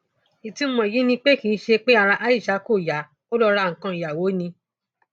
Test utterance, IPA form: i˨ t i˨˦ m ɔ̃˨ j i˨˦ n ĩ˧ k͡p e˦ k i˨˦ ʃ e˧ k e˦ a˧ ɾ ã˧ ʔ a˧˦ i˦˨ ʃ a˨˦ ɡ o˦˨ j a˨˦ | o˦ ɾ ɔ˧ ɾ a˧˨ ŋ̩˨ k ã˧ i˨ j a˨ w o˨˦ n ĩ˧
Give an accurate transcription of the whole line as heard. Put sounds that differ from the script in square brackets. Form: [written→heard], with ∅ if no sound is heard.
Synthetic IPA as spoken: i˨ t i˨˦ m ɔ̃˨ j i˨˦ n ĩ˧ k͡p e˦ k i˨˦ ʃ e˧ [k→k͡p] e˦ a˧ ɾ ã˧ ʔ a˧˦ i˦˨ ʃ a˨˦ [ɡ→k] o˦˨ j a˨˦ | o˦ [ɾ→l] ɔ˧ ɾ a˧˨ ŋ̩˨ k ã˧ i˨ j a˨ w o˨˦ n ĩ˧

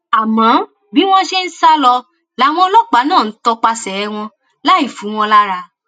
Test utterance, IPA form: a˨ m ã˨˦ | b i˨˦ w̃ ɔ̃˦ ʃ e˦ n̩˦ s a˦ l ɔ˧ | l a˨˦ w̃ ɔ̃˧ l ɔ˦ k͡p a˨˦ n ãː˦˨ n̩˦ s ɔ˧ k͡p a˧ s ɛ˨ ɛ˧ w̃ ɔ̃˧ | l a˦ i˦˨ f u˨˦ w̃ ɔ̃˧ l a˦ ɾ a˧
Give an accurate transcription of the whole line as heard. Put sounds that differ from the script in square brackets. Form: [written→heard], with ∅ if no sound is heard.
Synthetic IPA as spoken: a˨ m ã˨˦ | b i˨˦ w̃ ɔ̃˦ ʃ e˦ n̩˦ s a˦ l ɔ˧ | l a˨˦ w̃ ɔ̃˧ l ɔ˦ k͡p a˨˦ n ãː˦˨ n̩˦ [s→t] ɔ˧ k͡p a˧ s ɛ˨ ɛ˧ w̃ ɔ̃˧ | l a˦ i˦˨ f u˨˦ w̃ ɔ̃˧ l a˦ ɾ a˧

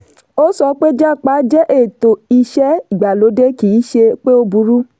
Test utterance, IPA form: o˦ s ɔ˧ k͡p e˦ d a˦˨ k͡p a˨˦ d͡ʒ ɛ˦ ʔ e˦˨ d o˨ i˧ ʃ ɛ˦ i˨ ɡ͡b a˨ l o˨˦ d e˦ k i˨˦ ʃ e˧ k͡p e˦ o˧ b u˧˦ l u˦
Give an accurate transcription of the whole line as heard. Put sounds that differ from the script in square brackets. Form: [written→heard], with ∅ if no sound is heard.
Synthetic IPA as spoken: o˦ s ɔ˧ k͡p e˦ [d→d͡ʒ] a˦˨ k͡p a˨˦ d͡ʒ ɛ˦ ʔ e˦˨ [d→t] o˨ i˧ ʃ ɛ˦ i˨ ɡ͡b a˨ l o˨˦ d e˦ k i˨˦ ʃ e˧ k͡p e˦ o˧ b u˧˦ [l→ɾ] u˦

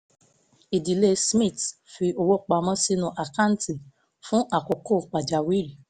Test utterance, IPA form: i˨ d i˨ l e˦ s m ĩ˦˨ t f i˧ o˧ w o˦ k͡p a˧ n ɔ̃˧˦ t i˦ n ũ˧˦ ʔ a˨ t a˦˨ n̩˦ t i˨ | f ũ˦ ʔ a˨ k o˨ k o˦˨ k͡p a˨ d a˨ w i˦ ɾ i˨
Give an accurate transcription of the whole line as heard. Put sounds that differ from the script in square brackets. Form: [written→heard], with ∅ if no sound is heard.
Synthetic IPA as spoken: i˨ d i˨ l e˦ s m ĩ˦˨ t f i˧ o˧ w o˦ k͡p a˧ [n→m] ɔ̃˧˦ [t→s] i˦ n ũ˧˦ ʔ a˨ [t→k] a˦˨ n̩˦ t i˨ | f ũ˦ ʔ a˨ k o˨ k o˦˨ k͡p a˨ [d→d͡ʒ] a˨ w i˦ ɾ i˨

